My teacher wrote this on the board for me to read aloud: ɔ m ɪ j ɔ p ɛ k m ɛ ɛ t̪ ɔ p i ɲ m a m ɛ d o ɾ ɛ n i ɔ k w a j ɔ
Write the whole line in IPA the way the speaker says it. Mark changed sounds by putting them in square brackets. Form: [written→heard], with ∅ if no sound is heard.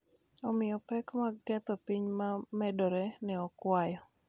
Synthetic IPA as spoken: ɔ m ɪ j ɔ p ɛ k m [ɛ→a] ɛ t̪ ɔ p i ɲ m a m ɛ d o ɾ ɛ n [i→ɛ] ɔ k w a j ɔ